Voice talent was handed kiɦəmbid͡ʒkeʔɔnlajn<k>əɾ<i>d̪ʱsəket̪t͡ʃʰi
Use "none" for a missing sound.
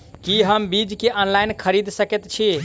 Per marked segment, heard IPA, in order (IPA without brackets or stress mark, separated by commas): kʰ, i